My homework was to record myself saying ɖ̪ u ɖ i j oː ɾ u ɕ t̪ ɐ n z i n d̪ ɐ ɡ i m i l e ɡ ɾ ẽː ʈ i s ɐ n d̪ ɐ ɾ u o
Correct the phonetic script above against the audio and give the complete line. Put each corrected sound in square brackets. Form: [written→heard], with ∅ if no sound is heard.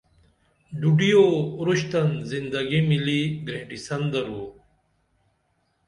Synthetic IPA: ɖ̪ u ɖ i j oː ɾ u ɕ t̪ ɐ n z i n d̪ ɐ ɡ i m i l [e→i] ɡ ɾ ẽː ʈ i s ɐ n d̪ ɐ ɾ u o